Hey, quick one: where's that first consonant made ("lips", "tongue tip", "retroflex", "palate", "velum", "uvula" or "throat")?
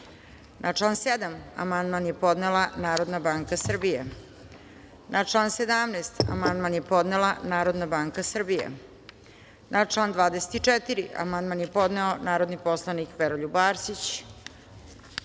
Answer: tongue tip